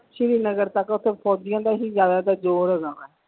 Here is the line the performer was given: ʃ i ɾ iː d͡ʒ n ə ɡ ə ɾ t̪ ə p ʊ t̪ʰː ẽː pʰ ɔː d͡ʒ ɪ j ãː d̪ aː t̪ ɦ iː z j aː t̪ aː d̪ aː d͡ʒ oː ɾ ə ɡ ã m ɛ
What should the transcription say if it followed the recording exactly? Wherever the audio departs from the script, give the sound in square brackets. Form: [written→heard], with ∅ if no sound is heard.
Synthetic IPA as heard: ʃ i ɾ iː [d͡ʒ→∅] n ə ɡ ə ɾ t̪ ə [p→k] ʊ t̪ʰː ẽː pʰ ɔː d͡ʒ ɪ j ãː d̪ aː [t̪→∅] ɦ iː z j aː [t̪→d̪] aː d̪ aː d͡ʒ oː ɾ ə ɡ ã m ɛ

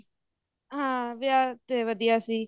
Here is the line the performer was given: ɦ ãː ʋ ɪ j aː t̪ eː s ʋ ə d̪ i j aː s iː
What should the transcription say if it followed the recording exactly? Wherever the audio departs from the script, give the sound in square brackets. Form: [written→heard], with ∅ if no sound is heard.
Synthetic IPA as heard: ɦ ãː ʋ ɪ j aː t̪ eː [s→∅] ʋ ə d̪ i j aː s iː

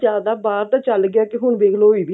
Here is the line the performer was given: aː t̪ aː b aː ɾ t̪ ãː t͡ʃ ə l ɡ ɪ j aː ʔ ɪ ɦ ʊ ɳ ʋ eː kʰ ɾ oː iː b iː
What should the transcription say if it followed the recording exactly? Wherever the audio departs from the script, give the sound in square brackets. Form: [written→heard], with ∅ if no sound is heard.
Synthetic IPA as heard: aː [t̪→d̪] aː b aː ɾ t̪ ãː t͡ʃ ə l ɡ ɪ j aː [ʔ→k] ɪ ɦ ʊ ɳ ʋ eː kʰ [ɾ→l] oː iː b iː

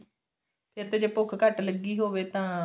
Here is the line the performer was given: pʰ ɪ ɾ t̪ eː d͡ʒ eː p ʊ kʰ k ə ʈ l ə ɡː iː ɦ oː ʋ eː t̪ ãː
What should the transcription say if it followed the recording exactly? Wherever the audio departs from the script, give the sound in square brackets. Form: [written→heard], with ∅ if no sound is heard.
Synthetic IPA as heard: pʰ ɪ ɾ t̪ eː d͡ʒ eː p ʊ kʰ k ə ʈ l ə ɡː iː ɦ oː ʋ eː t̪ ãː

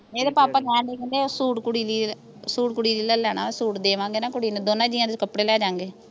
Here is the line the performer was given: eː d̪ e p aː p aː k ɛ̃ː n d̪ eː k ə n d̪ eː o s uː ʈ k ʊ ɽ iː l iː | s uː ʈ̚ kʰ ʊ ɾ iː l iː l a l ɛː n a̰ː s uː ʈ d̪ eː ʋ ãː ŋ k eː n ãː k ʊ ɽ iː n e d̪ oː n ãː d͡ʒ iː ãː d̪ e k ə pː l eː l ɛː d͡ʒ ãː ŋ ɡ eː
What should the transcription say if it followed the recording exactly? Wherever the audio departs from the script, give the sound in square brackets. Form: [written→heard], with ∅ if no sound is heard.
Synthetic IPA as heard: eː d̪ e p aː p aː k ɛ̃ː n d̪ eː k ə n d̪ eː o s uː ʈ k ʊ ɽ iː l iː | s uː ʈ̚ [kʰ→k] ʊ [ɾ→ɽ] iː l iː l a l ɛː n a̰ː s uː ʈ d̪ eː ʋ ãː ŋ [k→ɡ] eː n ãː k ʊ ɽ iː n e d̪ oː n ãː d͡ʒ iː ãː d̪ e k ə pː [l→ɽ] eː l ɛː d͡ʒ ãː ŋ ɡ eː

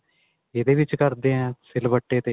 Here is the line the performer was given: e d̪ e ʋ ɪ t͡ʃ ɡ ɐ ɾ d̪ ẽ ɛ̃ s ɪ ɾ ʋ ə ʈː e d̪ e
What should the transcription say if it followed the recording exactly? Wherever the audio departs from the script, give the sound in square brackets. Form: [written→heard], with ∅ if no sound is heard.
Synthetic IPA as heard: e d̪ e ʋ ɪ t͡ʃ [ɡ→k] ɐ ɾ d̪ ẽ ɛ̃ s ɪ [ɾ→l] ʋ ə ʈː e [d̪→t̪] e

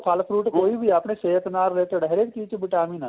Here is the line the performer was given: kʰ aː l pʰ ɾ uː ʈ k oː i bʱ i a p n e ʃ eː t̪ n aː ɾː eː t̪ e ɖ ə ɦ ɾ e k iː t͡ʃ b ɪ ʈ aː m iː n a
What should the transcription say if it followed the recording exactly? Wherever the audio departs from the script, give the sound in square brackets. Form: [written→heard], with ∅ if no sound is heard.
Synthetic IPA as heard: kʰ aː l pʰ ɾ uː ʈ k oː i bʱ i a p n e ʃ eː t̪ n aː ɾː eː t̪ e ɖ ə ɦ ɾ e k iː t͡ʃ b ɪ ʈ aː m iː n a

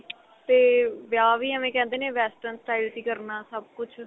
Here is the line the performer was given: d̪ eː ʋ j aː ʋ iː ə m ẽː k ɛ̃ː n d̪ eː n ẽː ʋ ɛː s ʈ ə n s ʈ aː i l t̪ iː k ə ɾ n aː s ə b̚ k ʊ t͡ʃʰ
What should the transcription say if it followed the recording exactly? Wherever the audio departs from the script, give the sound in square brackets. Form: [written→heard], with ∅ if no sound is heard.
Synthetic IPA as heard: [d̪→t̪] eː ʋ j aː ʋ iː ə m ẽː k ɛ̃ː n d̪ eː n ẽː ʋ ɛː s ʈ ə n s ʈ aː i l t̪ iː k ə ɾ n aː s ə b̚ k ʊ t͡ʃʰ

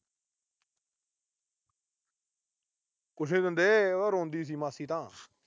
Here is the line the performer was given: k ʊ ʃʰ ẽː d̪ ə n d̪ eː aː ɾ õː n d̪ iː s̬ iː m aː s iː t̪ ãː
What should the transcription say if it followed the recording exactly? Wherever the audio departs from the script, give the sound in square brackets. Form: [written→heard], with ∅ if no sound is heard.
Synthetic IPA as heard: k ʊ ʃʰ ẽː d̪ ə n d̪ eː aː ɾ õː n d̪ iː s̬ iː m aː s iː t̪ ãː

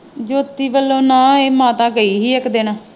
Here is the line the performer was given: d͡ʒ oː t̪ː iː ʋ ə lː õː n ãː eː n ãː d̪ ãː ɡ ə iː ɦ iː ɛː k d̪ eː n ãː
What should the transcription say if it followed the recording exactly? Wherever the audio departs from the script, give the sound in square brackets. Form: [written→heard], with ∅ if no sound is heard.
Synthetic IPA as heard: d͡ʒ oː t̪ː iː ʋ ə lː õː n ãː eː [n→m] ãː [d̪→t̪] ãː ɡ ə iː ɦ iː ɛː k d̪ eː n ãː

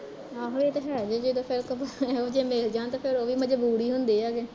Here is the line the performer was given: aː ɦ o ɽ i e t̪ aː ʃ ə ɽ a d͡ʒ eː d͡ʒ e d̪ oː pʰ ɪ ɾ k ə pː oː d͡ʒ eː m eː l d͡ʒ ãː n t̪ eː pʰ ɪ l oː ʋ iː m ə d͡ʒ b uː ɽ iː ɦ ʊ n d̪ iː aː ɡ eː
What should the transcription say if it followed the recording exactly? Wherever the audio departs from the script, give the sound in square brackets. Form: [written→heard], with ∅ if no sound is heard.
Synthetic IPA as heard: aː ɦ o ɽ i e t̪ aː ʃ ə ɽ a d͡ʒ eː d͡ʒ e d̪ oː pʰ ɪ ɾ k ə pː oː d͡ʒ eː m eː l d͡ʒ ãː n t̪ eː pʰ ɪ [l→ɾ] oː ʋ iː m ə d͡ʒ b uː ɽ iː ɦ ʊ n d̪ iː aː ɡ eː

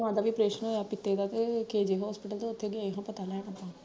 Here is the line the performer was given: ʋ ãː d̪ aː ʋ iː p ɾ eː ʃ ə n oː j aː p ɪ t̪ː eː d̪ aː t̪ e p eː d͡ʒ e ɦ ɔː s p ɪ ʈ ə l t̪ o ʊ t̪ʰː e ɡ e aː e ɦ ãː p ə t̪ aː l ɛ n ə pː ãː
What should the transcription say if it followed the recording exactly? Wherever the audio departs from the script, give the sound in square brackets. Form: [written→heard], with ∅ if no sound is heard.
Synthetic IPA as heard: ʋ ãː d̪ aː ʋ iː p ɾ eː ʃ ə n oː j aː p ɪ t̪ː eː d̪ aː t̪ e [p→k] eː d͡ʒ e ɦ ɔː s p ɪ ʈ ə l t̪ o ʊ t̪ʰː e ɡ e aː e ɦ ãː p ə t̪ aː l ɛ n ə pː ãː

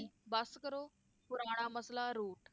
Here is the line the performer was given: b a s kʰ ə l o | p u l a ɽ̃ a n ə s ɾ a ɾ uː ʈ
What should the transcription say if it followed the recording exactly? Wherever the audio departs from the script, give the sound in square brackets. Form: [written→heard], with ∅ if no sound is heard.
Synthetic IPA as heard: b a s [kʰ→k] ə [l→ɾ] o | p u [l→ɾ] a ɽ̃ a [n→m] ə s [ɾ→l] a ɾ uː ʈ

